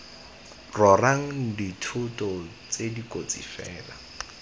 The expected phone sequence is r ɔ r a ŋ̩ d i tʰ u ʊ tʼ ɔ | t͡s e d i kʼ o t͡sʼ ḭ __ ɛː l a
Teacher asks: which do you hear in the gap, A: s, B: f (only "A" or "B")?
B